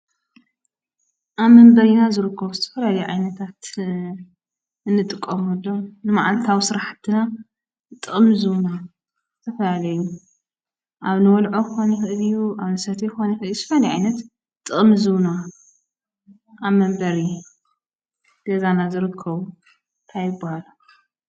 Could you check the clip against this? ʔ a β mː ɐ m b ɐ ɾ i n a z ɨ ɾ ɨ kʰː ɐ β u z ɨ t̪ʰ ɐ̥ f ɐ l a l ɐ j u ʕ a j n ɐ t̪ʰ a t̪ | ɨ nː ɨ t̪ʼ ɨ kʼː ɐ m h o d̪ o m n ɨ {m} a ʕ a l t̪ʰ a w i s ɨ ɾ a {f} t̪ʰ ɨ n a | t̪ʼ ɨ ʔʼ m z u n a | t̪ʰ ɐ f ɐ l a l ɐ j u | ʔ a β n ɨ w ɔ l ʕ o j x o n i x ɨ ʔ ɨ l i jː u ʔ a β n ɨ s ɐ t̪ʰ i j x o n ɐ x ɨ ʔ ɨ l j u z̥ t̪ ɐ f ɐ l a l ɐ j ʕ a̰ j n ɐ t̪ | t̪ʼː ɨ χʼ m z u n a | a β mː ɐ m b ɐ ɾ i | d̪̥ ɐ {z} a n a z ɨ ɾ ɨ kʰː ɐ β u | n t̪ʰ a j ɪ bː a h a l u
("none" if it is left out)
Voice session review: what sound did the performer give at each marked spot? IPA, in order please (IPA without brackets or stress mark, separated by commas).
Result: m, ħ, z